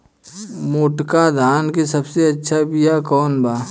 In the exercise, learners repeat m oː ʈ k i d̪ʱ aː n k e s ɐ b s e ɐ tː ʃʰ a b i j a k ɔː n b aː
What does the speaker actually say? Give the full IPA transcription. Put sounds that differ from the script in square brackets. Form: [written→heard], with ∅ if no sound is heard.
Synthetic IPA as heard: m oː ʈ k [i→a] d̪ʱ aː n k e s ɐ b s e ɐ tː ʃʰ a b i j a k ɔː n b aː

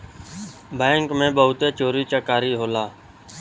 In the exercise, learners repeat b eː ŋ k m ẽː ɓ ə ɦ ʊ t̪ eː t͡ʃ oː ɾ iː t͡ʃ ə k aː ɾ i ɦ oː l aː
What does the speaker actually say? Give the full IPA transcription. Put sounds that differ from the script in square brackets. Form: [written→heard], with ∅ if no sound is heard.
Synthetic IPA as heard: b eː ŋ k m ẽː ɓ ə ɦ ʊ t̪ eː t͡ʃ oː ɾ iː t͡ʃ ə k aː ɾ [i→iː] ɦ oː l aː

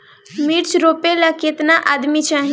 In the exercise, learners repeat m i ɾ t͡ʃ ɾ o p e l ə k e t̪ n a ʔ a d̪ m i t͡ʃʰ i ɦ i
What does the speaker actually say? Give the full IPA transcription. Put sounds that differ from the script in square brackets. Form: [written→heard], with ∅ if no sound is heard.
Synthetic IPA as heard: m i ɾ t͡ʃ ɾ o p e l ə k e t̪ n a ʔ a d̪ m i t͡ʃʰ [i→a] ɦ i

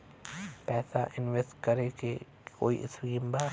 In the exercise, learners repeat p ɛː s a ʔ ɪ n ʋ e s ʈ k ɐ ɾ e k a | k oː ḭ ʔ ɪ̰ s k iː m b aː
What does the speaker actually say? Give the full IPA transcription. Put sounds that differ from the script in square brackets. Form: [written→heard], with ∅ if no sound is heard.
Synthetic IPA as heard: p ɛː s a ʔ ɪ n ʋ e s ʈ k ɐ ɾ e k [a→e] | k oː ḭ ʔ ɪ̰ s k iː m b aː

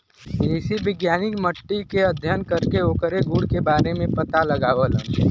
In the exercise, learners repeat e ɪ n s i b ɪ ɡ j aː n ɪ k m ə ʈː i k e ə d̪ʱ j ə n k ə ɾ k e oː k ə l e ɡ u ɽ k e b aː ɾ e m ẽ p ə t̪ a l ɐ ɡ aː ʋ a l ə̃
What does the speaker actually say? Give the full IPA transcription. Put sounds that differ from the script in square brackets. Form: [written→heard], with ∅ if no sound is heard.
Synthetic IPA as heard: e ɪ [n→∅] s i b ɪ ɡ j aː n ɪ k m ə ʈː i k e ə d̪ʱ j ə n k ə ɾ k e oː k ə [l→ɾ] e ɡ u ɽ k e b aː ɾ e m ẽ p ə t̪ a l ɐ ɡ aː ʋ [a→ə] l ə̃

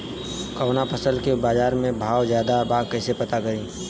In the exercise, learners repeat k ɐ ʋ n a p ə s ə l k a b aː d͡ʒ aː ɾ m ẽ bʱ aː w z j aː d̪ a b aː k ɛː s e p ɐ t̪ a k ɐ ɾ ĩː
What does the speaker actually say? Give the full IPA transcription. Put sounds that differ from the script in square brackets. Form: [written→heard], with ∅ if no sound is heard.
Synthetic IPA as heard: k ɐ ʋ n a p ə s ə l k [a→e] b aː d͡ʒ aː ɾ m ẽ bʱ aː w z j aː d̪ a b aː k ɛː s e p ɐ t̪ a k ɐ ɾ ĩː

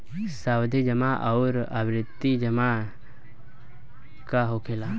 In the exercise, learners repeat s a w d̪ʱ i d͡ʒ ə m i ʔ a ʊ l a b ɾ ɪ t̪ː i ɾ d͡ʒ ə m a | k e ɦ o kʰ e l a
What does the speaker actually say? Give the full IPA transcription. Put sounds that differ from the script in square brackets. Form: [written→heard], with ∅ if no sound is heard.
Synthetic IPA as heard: s a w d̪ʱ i d͡ʒ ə m [i→a] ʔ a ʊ [l→ɾ] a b ɾ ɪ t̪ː i [ɾ→∅] d͡ʒ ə m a | k [e→a] ɦ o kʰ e l a

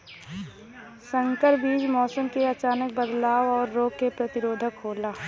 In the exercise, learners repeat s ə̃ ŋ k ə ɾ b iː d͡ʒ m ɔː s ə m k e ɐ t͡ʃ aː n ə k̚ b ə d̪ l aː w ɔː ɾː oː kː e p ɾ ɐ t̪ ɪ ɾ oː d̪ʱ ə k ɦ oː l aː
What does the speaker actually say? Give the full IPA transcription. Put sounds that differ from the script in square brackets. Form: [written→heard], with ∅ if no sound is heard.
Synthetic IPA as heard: s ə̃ ŋ k ə ɾ b iː d͡ʒ m ɔː s ə m k e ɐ t͡ʃ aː n ə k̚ b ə d̪ l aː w ɔː ɾː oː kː e p ɾ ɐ t̪ ɪ ɾ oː d̪ʱ ə k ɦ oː l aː

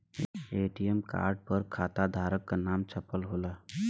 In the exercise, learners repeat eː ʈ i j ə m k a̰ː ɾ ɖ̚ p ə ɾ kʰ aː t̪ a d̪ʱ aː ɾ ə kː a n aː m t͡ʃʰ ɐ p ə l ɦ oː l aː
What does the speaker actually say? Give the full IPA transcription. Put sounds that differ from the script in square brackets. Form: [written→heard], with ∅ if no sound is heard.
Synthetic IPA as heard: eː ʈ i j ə m k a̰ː ɾ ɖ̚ p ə ɾ kʰ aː t̪ a d̪ʱ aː ɾ ə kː a n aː m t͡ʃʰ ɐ p ə l ɦ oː l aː

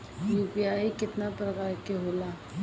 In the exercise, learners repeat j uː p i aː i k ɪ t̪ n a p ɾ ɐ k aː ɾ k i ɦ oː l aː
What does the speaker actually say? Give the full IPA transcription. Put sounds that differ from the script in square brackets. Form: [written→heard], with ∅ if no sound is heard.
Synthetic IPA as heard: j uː p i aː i k ɪ t̪ n a p ɾ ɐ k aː ɾ k [i→e] ɦ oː l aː

